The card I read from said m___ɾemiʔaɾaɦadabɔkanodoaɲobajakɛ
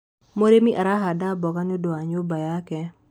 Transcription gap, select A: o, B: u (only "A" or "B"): A